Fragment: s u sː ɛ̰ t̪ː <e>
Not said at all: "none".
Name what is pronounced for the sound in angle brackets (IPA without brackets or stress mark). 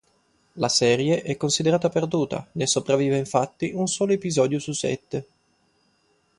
e